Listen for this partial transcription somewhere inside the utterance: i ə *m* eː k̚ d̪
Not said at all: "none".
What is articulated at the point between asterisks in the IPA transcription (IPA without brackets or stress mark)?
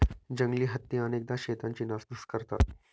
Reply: n